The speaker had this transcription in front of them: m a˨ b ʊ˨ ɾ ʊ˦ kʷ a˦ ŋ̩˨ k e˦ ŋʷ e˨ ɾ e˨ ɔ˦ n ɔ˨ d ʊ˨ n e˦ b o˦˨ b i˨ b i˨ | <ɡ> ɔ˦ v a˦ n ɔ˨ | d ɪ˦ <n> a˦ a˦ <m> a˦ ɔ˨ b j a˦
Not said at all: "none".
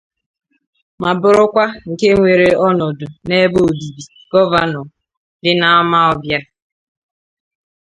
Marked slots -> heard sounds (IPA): ɡ, n, m

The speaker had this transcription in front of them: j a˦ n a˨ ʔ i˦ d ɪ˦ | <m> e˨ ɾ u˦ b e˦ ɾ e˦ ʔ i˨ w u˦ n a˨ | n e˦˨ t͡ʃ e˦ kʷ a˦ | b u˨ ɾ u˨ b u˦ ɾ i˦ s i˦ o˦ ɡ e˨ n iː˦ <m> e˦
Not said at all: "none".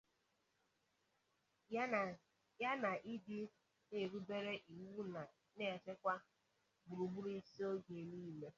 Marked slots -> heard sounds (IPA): n, m

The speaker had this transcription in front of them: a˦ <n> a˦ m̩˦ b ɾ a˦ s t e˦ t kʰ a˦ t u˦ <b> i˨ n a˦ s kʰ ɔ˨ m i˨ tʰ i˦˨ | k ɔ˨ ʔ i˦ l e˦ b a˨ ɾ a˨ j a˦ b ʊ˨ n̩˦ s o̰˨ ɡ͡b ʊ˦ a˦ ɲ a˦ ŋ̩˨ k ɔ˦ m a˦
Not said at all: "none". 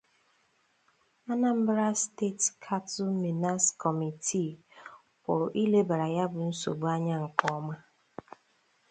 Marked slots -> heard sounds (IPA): n, m

